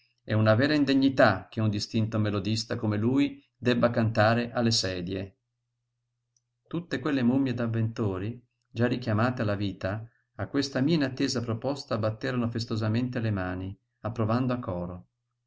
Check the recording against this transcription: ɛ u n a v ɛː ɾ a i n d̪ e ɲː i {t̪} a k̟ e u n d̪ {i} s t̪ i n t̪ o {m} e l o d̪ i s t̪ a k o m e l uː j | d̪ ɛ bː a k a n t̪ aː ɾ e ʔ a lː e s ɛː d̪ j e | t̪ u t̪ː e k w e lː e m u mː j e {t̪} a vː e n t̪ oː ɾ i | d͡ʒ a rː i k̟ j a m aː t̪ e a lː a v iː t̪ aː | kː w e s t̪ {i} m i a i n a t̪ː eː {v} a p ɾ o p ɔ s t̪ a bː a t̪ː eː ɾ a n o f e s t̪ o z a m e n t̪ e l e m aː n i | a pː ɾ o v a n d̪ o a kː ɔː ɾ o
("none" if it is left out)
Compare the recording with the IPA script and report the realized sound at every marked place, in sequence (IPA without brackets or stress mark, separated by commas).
t̪, i, m, d̪, a, z